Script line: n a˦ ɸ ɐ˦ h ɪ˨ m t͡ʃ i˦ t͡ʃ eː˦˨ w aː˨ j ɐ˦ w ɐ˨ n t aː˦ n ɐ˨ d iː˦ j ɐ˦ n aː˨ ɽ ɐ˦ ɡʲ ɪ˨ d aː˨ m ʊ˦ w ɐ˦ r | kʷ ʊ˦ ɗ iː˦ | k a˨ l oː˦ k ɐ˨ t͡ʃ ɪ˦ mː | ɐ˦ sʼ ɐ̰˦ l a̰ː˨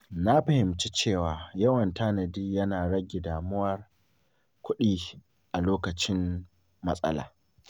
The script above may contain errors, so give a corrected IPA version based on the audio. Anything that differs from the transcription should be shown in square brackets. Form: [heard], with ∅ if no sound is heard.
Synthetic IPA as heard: n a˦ ɸ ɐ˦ h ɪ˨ m t͡ʃ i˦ t͡ʃ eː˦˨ w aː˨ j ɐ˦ w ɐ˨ n t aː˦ n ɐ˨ d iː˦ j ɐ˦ n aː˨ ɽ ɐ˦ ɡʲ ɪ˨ d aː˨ m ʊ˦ w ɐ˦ r | kʷ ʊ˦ ɗ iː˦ | [ʔ] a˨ l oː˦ k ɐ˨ t͡ʃ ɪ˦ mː | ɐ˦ sʼ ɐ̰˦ l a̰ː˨

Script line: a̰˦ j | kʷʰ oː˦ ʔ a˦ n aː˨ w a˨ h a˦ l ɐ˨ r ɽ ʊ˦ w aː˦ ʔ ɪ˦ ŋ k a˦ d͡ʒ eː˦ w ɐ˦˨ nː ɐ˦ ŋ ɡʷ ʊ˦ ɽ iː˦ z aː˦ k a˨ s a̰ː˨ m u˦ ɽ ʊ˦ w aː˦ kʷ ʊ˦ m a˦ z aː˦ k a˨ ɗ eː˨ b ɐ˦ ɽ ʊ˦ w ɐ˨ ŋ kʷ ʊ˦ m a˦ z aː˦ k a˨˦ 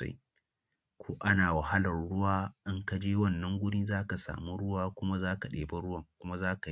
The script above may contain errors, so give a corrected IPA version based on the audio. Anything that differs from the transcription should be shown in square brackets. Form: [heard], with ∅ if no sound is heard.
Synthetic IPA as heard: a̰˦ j | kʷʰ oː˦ ʔ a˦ n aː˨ w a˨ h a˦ l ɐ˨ r ɽ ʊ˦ w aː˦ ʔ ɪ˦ ŋ k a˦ d͡ʒ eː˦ w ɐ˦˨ nː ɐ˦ ŋ ɡʷ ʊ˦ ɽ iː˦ z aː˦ k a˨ s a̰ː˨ m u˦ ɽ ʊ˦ w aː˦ kʷ ʊ˦ m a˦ z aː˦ k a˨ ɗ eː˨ b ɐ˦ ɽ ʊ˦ w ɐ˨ ŋ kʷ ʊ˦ m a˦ z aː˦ k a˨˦

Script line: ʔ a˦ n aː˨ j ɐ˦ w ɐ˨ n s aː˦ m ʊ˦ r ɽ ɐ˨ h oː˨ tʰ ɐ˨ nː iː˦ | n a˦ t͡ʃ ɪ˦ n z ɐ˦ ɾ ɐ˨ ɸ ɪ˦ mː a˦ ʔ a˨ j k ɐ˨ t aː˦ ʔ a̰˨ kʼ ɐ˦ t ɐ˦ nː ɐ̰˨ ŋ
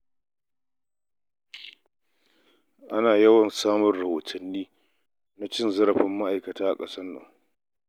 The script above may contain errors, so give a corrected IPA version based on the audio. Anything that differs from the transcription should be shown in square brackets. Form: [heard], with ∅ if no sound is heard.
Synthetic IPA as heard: ʔ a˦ n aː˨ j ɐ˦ w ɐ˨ n s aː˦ m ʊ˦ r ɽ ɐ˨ h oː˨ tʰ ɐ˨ nː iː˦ | n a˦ t͡ʃ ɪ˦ n z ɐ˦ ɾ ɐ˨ ɸ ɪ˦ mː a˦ ʔ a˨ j k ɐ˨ t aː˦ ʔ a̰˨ kʼ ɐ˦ [s] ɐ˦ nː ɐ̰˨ ŋ

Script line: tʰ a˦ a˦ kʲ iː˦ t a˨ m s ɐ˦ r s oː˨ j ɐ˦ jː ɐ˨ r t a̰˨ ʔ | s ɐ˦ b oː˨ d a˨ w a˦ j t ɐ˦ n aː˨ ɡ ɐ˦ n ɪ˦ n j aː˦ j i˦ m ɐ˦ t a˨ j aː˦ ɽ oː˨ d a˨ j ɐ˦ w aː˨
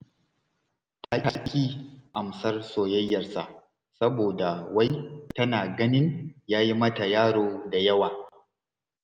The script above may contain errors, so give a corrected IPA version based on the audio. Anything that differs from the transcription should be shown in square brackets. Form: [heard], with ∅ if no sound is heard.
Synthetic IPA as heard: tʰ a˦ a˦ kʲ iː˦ [ʔ] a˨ m s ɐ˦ r s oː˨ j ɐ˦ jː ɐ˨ r [s] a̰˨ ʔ | s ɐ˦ b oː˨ d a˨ w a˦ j t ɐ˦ n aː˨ ɡ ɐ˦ n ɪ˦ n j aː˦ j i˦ m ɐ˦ t a˨ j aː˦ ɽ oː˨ d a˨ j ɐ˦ w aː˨

